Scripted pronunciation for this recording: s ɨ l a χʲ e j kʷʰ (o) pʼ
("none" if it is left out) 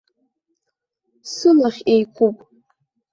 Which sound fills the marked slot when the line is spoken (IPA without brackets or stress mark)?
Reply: u